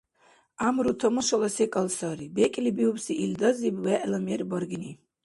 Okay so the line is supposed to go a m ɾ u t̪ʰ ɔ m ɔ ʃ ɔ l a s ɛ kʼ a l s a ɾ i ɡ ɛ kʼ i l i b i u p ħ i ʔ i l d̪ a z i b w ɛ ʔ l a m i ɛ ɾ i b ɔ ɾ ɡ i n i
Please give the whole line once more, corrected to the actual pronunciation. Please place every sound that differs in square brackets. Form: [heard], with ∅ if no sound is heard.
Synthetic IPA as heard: a m ɾ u t̪ʰ ɔ m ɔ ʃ ɔ l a s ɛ kʼ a l s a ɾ i [b] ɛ kʼ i l i b i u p [s] i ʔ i l d̪ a z i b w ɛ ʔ l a m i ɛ ɾ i b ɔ ɾ ɡ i n i